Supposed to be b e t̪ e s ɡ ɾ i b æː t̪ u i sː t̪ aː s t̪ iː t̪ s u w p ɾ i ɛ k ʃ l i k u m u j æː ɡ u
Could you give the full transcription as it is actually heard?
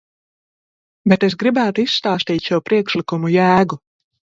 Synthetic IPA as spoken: b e t̪ e s ɡ ɾ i b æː t̪ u i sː t̪ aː s t̪ iː t̪ ʃ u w p ɾ i ɛ k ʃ l i k u m u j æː ɡ u